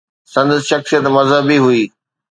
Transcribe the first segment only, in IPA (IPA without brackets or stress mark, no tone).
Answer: s